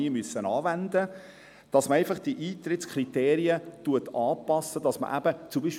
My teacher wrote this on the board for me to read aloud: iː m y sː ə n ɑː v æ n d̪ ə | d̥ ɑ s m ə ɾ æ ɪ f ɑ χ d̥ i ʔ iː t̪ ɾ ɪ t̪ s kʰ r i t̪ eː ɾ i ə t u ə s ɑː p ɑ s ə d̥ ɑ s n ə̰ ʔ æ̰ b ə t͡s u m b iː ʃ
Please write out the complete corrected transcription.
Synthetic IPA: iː m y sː ə n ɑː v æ n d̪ ə | d̥ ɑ s m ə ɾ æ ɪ f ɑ χ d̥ i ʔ iː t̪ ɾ ɪ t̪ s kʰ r i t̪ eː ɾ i ə t u ə t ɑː p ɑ s ə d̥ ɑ s m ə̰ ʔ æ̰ b ə t͡s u m b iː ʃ